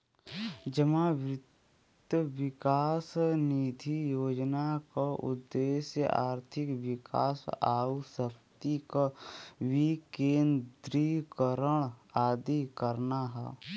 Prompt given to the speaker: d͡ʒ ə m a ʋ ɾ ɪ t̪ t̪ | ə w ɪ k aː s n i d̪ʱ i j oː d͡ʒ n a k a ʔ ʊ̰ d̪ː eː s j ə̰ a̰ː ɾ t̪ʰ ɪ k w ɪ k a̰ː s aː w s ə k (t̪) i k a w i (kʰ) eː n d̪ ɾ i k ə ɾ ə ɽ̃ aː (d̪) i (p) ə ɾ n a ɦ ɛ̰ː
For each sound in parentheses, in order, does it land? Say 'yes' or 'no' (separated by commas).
yes, no, yes, no